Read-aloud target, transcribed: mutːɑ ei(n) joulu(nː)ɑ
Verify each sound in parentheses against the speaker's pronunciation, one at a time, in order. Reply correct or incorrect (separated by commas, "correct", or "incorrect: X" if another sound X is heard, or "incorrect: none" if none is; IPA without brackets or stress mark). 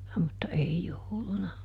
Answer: incorrect: none, incorrect: n